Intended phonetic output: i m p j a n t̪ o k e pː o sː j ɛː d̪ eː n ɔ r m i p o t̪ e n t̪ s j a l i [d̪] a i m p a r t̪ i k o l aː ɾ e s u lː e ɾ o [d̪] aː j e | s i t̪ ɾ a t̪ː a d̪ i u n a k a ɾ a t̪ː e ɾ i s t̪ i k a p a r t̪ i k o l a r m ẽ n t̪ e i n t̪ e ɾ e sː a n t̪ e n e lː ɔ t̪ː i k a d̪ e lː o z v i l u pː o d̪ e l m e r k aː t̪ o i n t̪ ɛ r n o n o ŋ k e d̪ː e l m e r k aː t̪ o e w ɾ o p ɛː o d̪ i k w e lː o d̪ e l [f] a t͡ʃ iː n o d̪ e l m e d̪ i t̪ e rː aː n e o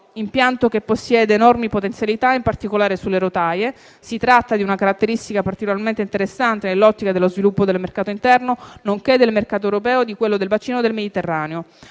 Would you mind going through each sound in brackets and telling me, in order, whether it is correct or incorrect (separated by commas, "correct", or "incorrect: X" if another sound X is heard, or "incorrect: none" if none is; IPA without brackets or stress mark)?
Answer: incorrect: t̪, incorrect: t̪, incorrect: v